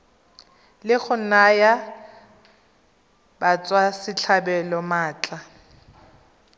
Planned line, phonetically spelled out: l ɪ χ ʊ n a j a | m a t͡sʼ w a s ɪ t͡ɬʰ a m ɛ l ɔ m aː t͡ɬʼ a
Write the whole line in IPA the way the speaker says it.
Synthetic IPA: l ɪ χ ʊ n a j a | b a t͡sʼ w a s ɪ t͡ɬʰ a b ɛ l ɔ m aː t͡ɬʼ a